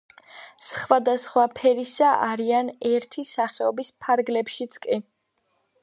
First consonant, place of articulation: alveolar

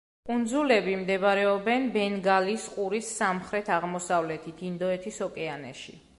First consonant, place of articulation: velar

